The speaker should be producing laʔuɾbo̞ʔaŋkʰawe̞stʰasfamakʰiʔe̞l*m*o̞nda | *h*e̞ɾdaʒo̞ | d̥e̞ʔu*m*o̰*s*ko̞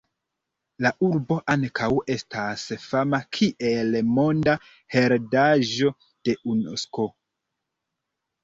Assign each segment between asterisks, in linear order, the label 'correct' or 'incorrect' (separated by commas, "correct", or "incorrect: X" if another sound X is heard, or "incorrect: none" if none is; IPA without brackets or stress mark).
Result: correct, correct, incorrect: n, correct